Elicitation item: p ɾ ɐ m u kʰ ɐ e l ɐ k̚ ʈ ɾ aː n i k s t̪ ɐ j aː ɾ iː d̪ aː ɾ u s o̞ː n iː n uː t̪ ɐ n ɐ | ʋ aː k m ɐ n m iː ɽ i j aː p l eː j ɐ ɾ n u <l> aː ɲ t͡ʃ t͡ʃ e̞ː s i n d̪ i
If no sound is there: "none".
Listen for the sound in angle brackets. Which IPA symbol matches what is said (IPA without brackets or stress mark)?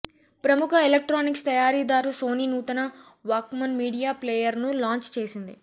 l